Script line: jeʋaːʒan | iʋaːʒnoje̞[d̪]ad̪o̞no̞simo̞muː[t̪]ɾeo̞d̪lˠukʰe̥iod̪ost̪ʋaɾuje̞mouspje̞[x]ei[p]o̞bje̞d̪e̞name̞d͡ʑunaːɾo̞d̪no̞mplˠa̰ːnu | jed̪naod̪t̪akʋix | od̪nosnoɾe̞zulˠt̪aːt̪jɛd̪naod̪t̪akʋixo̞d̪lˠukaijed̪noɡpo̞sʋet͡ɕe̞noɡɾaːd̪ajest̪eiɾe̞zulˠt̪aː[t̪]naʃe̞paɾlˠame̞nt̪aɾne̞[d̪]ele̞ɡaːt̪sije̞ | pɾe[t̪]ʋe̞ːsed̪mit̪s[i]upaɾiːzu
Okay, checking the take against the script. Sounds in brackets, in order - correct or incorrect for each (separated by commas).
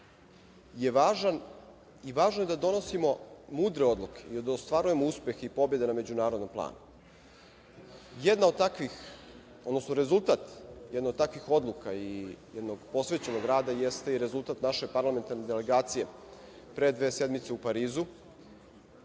correct, incorrect, correct, correct, correct, correct, incorrect, incorrect